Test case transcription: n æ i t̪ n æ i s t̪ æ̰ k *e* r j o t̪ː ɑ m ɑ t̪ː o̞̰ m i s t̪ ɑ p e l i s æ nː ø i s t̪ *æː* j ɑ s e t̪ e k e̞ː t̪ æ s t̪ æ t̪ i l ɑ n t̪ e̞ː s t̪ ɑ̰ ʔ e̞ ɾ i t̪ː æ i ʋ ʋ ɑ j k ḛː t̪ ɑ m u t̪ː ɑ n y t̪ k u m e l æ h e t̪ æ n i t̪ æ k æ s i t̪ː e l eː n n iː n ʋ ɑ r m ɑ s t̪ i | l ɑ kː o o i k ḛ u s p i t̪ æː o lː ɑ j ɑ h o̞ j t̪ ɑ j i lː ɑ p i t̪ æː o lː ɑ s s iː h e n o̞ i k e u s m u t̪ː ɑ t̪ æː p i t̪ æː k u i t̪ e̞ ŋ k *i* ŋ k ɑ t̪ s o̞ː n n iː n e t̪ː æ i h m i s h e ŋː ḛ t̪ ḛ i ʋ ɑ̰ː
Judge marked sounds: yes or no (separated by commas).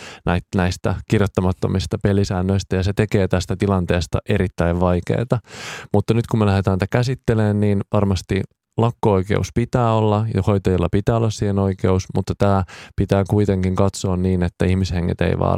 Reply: no, no, yes